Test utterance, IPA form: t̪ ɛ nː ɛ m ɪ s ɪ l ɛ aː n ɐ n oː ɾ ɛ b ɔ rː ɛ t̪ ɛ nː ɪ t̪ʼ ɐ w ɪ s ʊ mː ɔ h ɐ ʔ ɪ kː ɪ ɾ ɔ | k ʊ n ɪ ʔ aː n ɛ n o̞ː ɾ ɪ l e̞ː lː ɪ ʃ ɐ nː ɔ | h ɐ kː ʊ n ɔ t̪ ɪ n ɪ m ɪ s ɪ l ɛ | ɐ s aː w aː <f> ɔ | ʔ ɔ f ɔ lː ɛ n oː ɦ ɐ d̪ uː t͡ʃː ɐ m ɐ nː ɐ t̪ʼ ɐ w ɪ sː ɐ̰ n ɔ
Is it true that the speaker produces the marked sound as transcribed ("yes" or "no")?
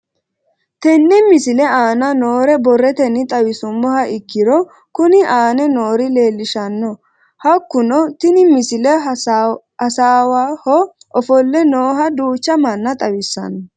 no